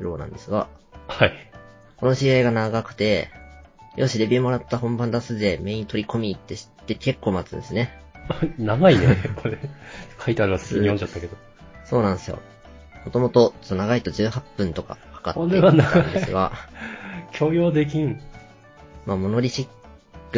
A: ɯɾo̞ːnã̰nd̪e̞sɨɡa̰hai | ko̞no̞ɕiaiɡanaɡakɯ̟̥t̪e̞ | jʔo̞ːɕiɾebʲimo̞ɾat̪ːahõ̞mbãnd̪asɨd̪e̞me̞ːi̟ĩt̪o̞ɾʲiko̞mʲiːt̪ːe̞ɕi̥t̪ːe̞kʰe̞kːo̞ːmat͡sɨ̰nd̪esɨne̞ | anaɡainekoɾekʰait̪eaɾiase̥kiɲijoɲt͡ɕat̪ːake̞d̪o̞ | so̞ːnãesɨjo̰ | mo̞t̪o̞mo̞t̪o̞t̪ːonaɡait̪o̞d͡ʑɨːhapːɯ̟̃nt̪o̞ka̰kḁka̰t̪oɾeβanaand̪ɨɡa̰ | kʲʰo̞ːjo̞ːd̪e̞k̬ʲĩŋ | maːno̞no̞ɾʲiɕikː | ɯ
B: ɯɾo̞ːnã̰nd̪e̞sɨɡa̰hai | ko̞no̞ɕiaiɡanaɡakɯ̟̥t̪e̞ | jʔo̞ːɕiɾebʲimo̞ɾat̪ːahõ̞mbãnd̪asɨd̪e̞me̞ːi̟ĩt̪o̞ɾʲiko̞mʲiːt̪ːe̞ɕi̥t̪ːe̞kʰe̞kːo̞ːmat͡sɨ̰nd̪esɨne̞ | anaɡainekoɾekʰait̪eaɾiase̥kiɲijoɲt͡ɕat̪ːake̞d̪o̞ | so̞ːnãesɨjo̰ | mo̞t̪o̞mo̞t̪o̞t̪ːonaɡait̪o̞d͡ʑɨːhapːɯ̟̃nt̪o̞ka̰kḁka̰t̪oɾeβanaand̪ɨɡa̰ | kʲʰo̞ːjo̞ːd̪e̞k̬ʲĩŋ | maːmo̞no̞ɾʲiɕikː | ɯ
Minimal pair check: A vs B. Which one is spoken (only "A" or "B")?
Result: B